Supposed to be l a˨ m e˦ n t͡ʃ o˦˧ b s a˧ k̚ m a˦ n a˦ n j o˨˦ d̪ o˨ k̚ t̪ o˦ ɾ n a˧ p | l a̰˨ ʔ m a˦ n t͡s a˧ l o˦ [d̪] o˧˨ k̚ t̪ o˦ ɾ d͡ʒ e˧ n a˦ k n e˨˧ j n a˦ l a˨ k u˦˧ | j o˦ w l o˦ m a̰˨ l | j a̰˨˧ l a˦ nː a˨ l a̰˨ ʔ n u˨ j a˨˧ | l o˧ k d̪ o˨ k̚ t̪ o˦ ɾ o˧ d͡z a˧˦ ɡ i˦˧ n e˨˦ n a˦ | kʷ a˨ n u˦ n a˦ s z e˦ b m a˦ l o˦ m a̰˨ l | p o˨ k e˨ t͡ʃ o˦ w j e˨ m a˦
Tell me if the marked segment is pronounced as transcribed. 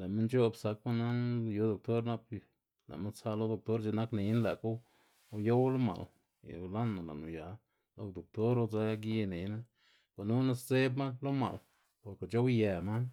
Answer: yes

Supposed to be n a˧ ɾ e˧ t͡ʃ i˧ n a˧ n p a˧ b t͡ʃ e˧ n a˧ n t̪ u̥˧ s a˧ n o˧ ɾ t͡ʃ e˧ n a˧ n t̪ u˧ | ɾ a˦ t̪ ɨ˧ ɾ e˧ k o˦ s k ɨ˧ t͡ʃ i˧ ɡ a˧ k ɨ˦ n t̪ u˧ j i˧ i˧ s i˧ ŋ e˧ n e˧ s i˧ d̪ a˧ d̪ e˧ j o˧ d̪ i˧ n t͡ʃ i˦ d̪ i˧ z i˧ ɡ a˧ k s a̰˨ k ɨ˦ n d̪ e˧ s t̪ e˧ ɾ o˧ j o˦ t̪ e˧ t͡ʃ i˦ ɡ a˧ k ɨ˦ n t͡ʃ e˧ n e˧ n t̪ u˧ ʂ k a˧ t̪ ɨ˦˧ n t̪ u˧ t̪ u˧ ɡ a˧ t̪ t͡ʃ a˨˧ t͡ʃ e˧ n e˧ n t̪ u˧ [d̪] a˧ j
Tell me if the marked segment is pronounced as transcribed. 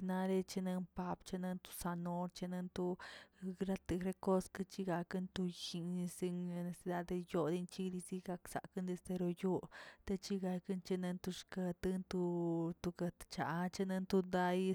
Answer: yes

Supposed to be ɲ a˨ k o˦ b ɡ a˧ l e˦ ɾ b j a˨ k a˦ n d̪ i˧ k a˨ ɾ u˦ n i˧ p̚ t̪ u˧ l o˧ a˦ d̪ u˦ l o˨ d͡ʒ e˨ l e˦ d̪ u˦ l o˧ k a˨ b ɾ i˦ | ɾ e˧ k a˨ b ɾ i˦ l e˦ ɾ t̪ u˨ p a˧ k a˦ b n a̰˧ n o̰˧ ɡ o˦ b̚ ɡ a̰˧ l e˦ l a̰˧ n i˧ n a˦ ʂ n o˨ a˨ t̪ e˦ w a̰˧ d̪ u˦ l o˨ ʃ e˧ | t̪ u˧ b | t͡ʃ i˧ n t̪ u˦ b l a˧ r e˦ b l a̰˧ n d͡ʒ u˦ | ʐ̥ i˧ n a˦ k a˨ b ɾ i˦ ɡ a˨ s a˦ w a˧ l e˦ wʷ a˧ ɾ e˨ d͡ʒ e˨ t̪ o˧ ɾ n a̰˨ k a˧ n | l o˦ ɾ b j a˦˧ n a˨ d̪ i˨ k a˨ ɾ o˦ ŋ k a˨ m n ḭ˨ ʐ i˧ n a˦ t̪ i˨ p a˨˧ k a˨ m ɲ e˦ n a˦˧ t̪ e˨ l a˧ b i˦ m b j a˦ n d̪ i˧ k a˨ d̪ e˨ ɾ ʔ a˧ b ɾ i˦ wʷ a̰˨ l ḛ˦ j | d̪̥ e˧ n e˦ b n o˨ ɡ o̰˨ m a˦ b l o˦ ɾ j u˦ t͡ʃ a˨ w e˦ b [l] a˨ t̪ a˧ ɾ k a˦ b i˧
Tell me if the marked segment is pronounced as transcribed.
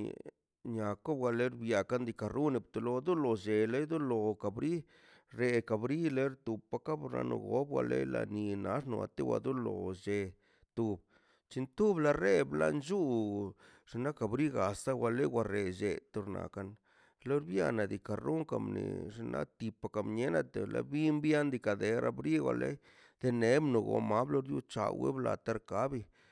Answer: yes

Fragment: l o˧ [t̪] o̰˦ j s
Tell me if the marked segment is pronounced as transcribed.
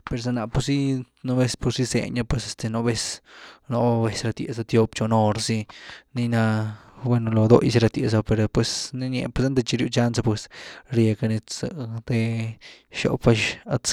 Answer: no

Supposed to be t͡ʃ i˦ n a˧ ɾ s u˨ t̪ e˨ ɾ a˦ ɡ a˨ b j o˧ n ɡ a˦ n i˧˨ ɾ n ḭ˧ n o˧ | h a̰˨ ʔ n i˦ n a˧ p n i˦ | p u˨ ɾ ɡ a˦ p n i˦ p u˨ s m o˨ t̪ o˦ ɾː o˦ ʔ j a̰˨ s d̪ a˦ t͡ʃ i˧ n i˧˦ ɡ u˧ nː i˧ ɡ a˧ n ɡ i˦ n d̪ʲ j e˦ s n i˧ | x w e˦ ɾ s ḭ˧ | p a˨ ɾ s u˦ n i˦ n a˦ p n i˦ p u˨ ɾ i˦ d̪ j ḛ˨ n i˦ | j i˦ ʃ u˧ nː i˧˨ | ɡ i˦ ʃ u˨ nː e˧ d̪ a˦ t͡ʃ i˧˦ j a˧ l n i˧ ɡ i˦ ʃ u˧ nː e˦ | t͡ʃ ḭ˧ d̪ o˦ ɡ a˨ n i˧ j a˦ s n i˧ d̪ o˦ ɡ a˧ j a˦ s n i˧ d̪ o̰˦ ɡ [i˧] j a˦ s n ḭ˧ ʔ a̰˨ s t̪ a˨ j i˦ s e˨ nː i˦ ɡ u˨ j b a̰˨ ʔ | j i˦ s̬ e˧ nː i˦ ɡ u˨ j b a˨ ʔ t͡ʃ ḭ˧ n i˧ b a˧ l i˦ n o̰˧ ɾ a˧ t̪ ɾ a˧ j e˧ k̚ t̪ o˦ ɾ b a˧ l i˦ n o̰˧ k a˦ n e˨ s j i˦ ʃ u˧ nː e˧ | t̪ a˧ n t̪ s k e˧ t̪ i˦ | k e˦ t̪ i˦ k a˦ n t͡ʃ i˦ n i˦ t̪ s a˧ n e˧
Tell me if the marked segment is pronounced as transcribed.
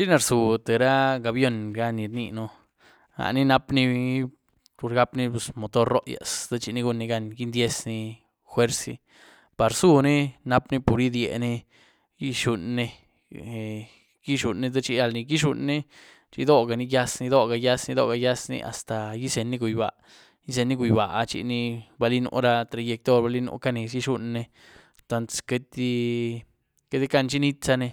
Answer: no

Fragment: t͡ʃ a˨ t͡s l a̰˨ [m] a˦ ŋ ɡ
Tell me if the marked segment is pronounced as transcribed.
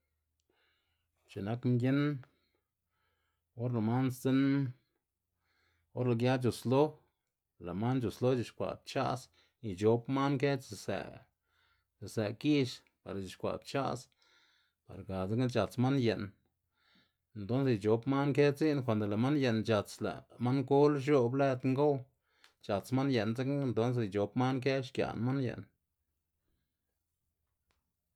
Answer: yes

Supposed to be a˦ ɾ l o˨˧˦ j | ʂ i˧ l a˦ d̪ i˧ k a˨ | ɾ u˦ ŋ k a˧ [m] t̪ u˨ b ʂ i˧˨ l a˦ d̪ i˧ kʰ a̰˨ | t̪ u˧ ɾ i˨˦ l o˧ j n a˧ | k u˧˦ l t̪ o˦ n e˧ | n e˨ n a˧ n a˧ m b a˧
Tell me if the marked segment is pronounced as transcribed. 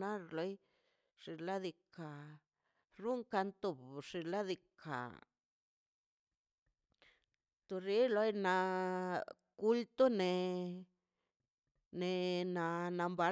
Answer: no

